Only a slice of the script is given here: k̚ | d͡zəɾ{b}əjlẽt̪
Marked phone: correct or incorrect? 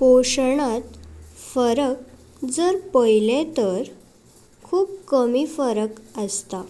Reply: incorrect